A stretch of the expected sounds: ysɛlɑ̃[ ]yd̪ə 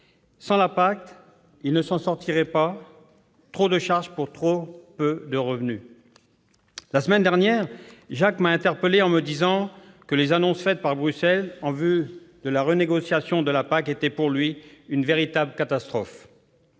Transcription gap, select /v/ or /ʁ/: v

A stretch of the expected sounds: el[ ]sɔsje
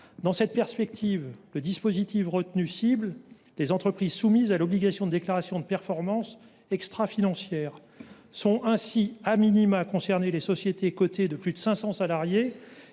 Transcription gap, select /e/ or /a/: e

